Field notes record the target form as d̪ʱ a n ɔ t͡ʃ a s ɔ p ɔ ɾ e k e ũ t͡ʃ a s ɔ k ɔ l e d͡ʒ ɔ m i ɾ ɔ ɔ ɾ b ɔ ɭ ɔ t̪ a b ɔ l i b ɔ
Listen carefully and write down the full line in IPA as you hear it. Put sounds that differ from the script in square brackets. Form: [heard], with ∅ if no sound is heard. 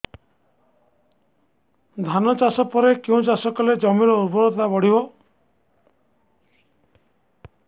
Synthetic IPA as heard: d̪ʱ a n ɔ t͡ʃ a s ɔ p ɔ ɾ e k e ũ t͡ʃ a s ɔ k ɔ l e d͡ʒ ɔ m i ɾ ɔ [u] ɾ b ɔ [ɾ] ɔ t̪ a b ɔ [ɽ] i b ɔ

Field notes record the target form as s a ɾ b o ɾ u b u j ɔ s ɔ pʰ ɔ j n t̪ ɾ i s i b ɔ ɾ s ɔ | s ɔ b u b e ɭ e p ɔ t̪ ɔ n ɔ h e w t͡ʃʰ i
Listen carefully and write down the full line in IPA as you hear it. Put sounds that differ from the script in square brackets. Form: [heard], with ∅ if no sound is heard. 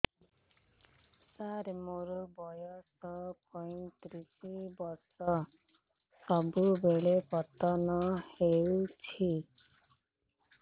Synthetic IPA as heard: s a ɾ [m] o ɾ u b [ɔ] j ɔ s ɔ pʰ ɔ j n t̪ ɾ i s i b ɔ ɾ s ɔ | s ɔ b u b e ɭ e p ɔ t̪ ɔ n ɔ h e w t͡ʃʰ i

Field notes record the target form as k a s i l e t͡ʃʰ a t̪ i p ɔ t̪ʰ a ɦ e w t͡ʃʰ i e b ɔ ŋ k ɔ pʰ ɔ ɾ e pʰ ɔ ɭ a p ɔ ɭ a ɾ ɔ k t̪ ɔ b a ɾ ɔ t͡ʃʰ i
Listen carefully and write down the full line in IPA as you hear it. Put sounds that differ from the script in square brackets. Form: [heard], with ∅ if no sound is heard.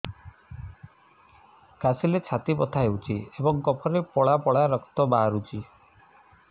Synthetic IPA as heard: k a s i l e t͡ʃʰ a t̪ i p ɔ t̪ʰ a ɦ e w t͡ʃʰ i e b ɔ ŋ k ɔ pʰ ɔ ɾ e [p] ɔ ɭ a p ɔ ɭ a ɾ ɔ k t̪ ɔ b a ɾ [u] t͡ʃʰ i

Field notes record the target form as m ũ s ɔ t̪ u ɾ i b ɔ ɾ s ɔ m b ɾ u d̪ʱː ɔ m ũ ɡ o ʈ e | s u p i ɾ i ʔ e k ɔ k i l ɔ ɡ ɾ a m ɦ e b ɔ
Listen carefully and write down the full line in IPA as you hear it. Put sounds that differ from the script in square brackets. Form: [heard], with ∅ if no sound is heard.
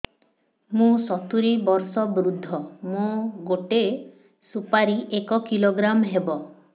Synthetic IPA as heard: m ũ s ɔ t̪ u ɾ i b ɔ ɾ s ɔ [∅] b ɾ u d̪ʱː ɔ m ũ ɡ o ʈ e | s u p [a] ɾ i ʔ e k ɔ k i l [o] ɡ ɾ a m ɦ e b ɔ

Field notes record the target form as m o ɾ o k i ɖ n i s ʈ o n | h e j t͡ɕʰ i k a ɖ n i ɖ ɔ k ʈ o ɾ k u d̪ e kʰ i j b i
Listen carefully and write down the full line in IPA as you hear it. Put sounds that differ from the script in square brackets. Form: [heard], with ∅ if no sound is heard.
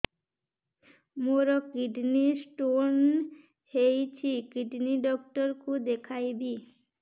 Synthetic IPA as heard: m o ɾ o k i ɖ n i s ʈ o n | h e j t͡ɕʰ i k [i] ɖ n i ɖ ɔ k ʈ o ɾ k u d̪ e kʰ [a] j b i

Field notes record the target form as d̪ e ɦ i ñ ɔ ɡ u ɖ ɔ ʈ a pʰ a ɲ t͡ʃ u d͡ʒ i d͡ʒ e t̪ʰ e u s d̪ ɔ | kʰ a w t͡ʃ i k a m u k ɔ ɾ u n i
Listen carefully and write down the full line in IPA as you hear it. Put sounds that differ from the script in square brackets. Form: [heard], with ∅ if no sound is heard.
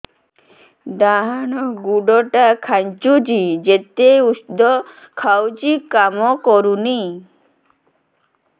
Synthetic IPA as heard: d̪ [a] ɦ [a] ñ ɔ ɡ u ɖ ɔ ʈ a [kʰ] a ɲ t͡ʃ u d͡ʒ i d͡ʒ e [t̪] e u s d̪ ɔ | kʰ a w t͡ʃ i k a m [ɔ] k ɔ ɾ u n i

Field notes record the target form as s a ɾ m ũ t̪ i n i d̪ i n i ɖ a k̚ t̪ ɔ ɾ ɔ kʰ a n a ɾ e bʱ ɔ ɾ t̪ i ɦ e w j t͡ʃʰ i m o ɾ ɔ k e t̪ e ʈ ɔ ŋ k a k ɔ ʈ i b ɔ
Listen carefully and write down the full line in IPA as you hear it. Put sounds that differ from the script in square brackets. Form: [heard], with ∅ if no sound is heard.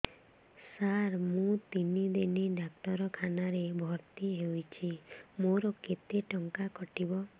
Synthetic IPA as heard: s a ɾ m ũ t̪ i n i d̪ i n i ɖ a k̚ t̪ ɔ ɾ ɔ kʰ a n a ɾ e bʱ ɔ ɾ t̪ i ɦ e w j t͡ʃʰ i m o ɾ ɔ k e t̪ e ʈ ɔ ŋ k a k ɔ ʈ i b ɔ

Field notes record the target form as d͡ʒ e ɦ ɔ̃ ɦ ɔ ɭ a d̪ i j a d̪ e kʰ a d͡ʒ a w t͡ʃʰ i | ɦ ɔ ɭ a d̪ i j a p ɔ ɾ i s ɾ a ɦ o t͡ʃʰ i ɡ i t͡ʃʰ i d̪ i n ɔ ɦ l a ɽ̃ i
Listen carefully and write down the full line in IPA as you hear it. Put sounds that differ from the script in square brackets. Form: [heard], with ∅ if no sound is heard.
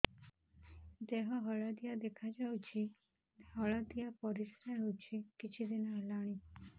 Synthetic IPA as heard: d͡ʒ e ɦ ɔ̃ ɦ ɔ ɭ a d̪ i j a d̪ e kʰ a d͡ʒ a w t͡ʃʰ i | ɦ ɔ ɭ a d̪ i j a p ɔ ɾ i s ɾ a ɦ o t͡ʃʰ i [k] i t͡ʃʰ i d̪ i n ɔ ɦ l a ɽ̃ i

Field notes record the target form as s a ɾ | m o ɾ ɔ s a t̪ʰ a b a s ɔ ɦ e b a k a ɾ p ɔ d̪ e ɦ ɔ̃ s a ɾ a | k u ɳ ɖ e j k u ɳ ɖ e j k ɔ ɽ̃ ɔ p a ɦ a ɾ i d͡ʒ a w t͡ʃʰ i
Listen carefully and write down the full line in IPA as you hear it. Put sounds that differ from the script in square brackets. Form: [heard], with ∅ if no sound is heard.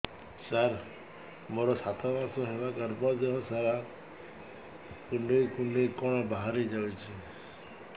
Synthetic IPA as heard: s a ɾ | m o ɾ ɔ s a t̪ʰ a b a s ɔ ɦ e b a k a ɾ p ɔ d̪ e ɦ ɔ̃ s a ɾ a | k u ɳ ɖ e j k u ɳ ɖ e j k ɔ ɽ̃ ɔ [b] a ɦ a ɾ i d͡ʒ a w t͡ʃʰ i

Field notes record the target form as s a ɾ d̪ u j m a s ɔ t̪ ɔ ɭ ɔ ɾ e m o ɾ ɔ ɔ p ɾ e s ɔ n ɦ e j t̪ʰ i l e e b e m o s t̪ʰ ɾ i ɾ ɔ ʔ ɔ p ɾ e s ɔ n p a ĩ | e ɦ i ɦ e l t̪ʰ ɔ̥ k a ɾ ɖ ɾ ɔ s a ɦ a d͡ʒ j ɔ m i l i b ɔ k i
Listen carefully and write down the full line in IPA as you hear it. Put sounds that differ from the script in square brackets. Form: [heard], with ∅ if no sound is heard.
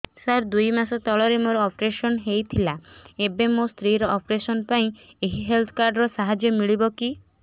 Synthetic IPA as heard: s a ɾ d̪ u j m a s ɔ t̪ ɔ ɭ ɔ ɾ e m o ɾ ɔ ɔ p ɾ e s ɔ n ɦ e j t̪ʰ i l [a] e b e m o s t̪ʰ ɾ i ɾ ɔ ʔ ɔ p ɾ e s ɔ n p a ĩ | e ɦ i ɦ e l t̪ʰ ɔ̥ k a ɾ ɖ ɾ ɔ s a ɦ a d͡ʒ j ɔ m i [ɭ] i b ɔ k i

